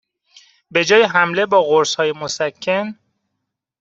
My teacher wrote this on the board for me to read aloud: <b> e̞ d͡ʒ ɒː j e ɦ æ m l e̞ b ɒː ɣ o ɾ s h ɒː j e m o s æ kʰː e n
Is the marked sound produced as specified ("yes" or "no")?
yes